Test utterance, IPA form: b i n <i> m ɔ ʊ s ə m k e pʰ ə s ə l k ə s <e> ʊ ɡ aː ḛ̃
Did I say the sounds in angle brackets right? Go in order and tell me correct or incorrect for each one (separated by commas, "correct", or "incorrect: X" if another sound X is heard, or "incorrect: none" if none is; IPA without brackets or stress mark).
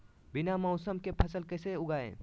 incorrect: a, correct